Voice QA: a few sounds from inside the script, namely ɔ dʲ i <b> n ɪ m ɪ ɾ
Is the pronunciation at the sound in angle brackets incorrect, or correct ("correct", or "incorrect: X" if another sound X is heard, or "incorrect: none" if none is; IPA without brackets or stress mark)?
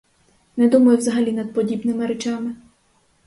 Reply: correct